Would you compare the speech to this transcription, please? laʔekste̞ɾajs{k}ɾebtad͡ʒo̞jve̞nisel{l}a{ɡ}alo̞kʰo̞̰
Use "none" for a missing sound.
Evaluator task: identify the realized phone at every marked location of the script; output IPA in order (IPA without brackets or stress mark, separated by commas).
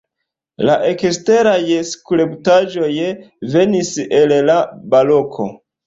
k, l, b